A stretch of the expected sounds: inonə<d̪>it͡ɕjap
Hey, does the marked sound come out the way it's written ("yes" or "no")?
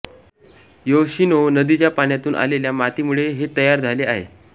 yes